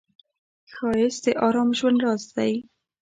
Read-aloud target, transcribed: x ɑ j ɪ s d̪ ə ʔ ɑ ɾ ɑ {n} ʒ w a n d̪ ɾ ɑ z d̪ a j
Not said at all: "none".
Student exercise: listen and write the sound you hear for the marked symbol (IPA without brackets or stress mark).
m